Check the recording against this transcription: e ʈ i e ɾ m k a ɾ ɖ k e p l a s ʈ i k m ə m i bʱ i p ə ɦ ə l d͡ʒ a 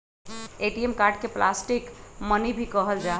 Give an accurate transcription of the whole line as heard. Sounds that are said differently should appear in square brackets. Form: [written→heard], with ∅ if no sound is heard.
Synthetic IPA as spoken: e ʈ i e [ɾ→∅] m k a ɾ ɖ k e p l a s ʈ i k m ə [m→n] i bʱ i [p→k] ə ɦ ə l d͡ʒ a